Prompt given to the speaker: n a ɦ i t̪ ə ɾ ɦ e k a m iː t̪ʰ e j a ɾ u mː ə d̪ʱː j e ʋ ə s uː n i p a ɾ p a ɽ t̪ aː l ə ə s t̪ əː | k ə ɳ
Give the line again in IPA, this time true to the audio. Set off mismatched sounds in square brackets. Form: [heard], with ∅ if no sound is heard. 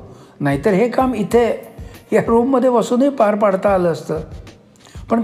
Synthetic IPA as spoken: n a ɦ i t̪ ə ɾ ɦ e k a m [i] t̪ʰ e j a ɾ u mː ə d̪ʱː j e ʋ ə s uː n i p a ɾ p a ɽ t̪ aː l ə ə s t̪ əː | [p] ə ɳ